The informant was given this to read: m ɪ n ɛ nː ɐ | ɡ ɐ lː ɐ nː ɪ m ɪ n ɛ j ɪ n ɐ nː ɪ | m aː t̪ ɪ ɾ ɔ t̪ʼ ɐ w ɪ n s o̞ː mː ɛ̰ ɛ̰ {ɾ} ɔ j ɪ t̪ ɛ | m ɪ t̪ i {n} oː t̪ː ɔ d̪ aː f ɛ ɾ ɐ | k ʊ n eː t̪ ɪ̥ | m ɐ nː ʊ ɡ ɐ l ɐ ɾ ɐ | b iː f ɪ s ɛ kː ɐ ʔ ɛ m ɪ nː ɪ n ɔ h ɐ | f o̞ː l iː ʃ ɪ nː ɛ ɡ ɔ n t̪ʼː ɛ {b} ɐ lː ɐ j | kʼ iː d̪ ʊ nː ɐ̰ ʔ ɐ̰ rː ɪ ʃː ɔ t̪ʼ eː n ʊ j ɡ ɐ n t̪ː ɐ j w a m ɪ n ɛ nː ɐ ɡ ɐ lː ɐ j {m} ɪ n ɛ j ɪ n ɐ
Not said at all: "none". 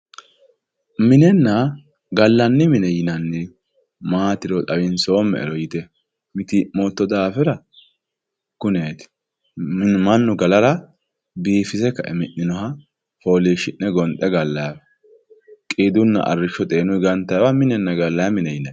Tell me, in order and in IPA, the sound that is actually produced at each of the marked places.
ɾ, m, ɡ, m

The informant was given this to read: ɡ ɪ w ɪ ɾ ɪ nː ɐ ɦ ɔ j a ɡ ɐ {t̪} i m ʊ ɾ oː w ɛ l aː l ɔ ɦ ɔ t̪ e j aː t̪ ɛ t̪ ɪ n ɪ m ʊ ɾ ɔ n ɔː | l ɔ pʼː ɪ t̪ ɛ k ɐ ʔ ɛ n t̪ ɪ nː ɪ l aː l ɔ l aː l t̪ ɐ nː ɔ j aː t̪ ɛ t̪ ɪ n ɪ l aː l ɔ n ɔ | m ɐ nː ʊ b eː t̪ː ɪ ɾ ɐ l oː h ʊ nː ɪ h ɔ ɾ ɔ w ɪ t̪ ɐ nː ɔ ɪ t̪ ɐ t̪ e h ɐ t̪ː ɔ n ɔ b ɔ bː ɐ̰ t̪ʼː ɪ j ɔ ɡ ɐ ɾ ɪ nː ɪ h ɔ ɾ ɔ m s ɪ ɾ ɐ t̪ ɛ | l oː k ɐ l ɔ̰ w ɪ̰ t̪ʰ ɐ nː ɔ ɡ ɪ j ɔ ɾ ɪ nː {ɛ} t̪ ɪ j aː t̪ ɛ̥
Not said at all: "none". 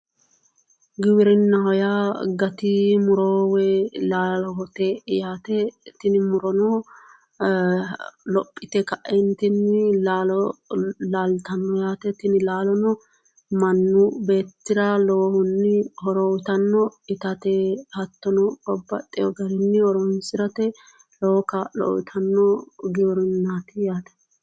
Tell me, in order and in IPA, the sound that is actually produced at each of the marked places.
t̪, a

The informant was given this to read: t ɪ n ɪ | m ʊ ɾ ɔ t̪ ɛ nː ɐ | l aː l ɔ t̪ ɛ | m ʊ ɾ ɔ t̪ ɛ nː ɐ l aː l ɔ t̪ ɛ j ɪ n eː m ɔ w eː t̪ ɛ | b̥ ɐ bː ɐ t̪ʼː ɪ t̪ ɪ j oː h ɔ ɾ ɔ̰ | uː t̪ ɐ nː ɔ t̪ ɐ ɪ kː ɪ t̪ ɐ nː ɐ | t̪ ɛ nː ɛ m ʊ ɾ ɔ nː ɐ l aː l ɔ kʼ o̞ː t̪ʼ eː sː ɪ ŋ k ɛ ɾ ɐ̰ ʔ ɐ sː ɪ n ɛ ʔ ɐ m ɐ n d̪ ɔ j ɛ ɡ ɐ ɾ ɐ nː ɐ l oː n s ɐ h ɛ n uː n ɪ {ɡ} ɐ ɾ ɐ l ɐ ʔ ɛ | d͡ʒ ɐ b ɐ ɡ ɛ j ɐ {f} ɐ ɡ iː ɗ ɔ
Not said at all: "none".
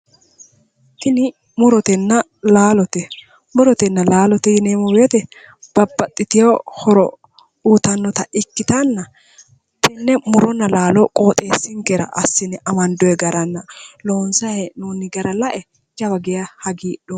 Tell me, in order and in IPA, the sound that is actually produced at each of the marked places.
ɡ, h

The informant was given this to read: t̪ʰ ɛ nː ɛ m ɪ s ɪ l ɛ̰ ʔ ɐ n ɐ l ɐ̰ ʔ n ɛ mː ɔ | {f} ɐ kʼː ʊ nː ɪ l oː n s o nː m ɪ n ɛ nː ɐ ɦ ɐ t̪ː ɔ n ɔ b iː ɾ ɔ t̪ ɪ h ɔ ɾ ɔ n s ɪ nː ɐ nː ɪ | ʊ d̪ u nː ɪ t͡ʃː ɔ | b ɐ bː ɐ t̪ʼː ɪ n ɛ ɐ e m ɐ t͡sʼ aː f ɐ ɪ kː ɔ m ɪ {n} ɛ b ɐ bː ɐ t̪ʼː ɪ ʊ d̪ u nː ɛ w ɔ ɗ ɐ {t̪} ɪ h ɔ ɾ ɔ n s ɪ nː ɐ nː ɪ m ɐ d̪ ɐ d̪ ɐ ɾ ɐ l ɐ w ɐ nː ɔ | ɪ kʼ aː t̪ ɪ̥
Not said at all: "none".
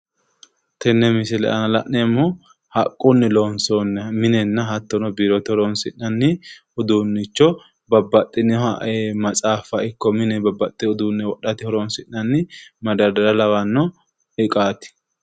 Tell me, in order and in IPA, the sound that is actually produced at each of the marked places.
h, n, t̪

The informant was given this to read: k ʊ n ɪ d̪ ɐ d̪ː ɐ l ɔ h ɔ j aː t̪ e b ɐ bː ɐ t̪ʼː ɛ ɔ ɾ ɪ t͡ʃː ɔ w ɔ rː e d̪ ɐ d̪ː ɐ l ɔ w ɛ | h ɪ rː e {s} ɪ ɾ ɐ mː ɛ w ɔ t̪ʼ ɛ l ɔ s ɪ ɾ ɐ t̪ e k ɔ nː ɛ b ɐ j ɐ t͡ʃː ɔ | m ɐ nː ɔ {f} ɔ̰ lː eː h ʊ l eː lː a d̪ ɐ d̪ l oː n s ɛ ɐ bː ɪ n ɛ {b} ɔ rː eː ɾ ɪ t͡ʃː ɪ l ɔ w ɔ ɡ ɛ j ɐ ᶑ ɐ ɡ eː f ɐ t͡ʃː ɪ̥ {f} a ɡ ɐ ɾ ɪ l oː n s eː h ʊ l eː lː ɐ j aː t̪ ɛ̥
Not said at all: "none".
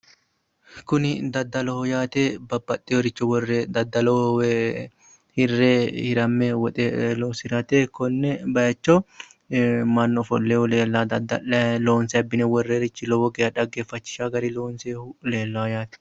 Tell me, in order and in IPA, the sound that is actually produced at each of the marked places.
h, f, w, ʃ

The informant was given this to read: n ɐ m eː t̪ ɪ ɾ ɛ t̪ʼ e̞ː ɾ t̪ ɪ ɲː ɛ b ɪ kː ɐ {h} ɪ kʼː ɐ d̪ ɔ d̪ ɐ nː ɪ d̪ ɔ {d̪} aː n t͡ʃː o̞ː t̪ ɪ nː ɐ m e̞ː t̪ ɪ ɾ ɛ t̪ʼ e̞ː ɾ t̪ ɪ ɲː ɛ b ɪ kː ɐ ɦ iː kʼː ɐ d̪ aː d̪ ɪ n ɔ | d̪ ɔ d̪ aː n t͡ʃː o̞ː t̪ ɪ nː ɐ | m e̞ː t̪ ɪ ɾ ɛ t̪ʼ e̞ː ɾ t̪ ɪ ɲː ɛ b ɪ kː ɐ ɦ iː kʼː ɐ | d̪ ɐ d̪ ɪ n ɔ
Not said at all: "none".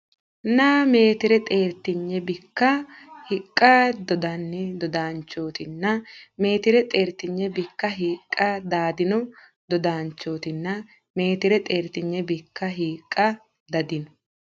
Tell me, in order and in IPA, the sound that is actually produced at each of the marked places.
h, d̪

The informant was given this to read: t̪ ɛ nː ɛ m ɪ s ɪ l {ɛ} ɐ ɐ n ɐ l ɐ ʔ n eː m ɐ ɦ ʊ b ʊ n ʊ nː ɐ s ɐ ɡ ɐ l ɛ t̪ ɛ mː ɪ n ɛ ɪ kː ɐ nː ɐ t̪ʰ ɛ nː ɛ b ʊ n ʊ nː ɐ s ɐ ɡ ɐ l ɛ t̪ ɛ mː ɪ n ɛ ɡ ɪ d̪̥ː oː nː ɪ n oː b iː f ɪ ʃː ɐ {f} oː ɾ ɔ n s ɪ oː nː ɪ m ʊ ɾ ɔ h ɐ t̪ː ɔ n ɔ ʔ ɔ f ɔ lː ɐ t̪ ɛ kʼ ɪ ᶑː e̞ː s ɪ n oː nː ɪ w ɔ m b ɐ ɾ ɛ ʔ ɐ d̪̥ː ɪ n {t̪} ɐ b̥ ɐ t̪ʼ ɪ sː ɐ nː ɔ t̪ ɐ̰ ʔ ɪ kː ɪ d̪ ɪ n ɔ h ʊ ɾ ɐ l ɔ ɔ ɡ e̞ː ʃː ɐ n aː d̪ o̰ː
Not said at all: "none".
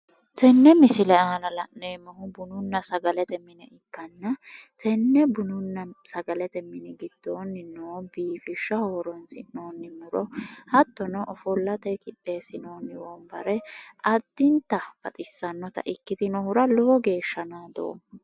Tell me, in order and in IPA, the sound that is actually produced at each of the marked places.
ɛ, h, t̪

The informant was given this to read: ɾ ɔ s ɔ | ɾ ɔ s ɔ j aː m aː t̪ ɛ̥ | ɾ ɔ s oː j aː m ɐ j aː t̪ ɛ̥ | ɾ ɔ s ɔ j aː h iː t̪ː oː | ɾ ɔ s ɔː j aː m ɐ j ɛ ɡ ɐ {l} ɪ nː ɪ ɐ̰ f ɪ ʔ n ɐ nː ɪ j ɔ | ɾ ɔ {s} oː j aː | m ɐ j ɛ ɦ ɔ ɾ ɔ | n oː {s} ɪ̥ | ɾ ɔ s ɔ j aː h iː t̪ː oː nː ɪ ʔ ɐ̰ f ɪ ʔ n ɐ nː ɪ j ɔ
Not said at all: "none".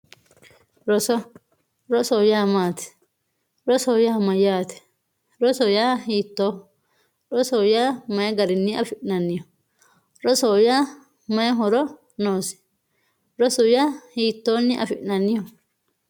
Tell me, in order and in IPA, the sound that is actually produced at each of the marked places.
ɾ, s, s

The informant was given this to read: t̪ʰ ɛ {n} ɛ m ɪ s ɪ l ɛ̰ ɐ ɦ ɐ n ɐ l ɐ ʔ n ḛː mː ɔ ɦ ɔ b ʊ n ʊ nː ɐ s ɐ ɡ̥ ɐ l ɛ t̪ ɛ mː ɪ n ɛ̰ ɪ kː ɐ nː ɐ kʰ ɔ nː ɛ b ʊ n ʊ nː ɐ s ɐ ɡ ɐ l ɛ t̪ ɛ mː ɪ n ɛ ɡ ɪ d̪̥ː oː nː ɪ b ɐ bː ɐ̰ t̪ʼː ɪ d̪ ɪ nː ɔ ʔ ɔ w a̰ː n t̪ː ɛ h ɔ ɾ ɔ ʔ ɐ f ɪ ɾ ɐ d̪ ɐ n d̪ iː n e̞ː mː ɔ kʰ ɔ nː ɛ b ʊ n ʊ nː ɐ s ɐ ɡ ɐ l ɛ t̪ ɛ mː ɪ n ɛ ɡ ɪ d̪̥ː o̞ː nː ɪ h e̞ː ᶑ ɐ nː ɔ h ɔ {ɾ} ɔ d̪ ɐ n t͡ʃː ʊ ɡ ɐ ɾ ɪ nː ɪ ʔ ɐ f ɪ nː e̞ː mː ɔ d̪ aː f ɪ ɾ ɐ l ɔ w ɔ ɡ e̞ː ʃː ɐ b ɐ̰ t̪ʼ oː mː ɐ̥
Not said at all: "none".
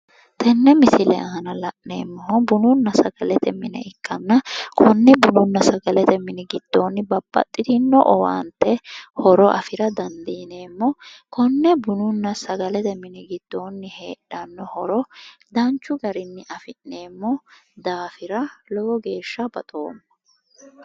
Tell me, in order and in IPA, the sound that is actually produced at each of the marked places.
nː, ɾ

